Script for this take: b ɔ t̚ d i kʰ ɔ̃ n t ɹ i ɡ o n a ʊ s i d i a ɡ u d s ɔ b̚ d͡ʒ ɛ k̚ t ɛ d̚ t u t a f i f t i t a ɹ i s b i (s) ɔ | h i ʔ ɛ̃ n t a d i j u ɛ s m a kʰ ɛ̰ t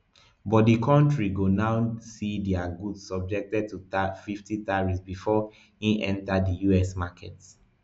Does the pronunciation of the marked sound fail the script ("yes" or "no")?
yes